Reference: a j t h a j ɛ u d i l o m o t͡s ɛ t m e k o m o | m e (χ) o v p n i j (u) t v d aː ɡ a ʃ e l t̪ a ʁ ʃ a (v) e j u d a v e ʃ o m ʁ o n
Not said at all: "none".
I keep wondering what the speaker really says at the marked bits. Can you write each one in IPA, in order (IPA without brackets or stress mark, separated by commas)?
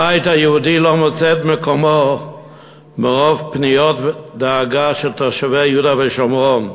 ʁ, o, v